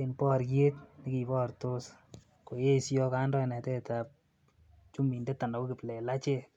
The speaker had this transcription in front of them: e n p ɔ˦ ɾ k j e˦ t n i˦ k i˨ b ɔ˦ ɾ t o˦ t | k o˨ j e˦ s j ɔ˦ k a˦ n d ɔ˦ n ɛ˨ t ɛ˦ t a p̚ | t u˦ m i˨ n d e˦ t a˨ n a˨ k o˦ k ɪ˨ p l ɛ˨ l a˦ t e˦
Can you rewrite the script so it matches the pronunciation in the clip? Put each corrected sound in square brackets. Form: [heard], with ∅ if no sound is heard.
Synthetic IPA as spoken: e n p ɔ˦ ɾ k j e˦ t n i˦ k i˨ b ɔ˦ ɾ t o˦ [s] | k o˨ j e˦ s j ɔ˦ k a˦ n d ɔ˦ n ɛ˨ t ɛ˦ t a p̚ | [t͡ʃ] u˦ m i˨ n d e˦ t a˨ n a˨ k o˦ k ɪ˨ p l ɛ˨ l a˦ [t͡ʃ] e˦